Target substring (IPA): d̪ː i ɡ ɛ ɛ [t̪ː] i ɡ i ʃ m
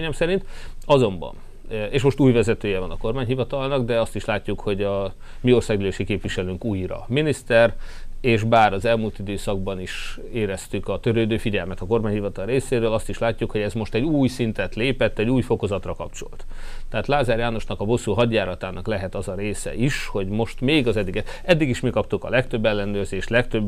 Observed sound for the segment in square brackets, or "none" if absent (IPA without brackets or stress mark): d̪ː